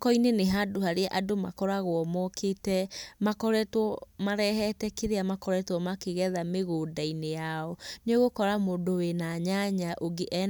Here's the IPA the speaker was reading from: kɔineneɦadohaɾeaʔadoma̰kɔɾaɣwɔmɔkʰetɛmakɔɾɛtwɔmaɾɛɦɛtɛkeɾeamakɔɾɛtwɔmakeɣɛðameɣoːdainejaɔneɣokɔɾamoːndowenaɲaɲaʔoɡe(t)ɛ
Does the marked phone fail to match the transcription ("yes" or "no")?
yes